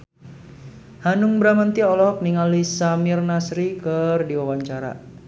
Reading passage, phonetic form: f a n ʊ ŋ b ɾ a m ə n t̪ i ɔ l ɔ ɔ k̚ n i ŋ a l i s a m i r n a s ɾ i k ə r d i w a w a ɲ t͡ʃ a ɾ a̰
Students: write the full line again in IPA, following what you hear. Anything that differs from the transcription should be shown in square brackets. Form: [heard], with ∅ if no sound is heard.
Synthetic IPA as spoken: [h] a n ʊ ŋ b ɾ a m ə n t̪ i ɔ l ɔ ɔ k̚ n i ŋ a l i s a m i r n a s ɾ i k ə r d i w a w a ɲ t͡ʃ a ɾ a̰